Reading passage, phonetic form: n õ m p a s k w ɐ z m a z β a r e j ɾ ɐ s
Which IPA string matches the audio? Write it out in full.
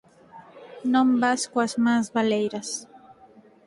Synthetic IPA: n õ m b a s k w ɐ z m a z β a l e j ɾ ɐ s